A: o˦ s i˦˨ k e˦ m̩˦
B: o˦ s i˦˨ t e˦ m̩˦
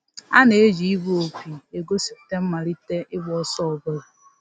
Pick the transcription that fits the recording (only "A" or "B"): B